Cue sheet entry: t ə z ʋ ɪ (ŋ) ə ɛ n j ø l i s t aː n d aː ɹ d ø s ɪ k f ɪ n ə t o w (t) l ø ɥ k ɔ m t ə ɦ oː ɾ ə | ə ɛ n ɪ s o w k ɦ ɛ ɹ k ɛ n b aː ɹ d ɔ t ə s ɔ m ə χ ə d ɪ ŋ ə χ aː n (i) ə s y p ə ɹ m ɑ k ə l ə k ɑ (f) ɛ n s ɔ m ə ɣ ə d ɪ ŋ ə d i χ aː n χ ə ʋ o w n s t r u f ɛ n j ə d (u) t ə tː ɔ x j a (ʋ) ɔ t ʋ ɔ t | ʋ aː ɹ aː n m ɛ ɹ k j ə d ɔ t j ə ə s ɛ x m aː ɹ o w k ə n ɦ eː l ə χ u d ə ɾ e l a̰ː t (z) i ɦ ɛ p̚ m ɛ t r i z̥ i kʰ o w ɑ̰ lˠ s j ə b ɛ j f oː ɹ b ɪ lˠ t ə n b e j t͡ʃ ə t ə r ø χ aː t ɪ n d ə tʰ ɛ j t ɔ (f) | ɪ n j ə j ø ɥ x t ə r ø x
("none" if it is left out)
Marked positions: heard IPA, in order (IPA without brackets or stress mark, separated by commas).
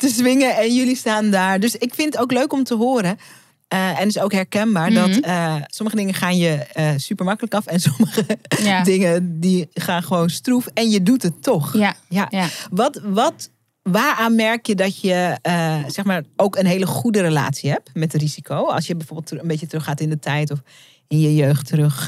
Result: ŋ, k, j, f, u, ʋ, s, f